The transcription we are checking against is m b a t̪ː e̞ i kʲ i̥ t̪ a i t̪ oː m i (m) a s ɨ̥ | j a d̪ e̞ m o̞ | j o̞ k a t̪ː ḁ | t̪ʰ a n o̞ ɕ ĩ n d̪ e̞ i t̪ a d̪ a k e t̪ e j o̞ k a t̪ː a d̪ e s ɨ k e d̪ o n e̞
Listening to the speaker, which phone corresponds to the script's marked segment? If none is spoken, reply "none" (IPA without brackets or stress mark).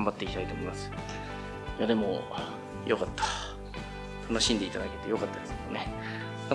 m